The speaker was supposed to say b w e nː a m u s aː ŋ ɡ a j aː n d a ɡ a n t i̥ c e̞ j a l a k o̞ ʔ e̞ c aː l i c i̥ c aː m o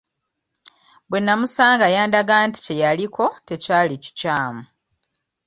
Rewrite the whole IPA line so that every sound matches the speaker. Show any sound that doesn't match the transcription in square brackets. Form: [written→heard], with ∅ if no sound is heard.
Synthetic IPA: b w e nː a m u s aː ŋ ɡ a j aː n d a ɡ a n t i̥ c e̞ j a l [a→i] k o̞ [ʔ→t] e̞ c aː l i c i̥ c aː m [o→u]